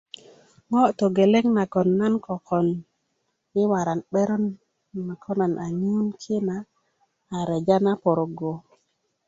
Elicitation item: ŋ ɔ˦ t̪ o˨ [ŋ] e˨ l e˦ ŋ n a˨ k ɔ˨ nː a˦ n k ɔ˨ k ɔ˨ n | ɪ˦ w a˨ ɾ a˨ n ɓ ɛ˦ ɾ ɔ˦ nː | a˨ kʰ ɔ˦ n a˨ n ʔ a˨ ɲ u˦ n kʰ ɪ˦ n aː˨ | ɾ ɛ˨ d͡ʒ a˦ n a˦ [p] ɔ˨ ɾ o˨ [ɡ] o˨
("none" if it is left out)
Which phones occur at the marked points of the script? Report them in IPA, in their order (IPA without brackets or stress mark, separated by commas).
ɡ, p, ɡ